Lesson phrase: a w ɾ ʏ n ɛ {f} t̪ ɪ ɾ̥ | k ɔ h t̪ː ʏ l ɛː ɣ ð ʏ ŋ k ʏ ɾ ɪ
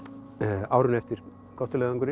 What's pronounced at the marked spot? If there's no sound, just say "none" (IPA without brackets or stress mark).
f